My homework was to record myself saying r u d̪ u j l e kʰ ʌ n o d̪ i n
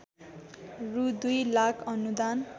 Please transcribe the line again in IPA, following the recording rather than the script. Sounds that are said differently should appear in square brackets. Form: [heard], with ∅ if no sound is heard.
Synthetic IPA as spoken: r u d̪ u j l [a] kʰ ʌ n [u] d̪ [a] n